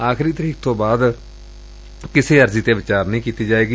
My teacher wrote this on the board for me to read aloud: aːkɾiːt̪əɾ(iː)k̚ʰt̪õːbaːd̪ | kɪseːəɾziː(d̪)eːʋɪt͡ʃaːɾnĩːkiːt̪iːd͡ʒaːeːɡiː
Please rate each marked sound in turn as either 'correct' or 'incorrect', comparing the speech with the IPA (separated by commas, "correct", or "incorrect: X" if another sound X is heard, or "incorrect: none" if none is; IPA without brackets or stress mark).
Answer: correct, incorrect: t̪